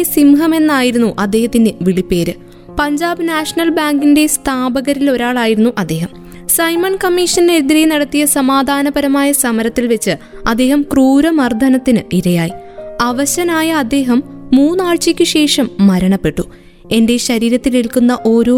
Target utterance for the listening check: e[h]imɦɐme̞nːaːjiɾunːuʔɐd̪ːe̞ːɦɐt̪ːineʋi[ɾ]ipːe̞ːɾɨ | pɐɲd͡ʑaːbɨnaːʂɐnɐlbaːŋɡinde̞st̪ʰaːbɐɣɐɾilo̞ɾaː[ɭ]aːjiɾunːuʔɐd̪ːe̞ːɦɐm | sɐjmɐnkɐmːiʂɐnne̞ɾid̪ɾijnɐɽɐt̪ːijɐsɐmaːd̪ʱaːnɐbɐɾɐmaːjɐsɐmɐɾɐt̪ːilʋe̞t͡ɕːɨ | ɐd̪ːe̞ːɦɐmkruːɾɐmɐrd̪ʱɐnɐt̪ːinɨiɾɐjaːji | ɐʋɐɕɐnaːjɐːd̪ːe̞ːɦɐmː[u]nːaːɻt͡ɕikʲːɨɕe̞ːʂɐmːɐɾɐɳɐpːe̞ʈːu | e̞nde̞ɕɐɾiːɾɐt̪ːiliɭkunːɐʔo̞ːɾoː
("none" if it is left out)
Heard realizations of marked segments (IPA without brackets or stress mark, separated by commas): s, ɭ, ɭ, uː